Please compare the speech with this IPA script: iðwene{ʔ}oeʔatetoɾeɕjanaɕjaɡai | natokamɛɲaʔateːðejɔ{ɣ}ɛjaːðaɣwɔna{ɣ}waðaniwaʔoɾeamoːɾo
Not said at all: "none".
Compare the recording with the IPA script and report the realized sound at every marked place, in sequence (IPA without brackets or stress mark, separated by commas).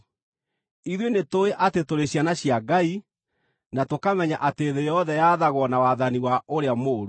t, ð, none